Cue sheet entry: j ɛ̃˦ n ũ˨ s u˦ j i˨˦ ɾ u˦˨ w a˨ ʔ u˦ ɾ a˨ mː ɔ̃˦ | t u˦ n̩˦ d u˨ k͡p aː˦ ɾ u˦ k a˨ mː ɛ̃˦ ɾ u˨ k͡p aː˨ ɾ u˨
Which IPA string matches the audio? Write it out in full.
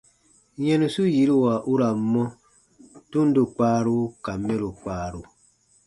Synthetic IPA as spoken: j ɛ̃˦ n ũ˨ s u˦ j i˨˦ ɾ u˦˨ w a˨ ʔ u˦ ɾ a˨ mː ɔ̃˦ | t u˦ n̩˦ d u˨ k͡p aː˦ ɾ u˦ k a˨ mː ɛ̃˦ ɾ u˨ k͡p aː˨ ɾ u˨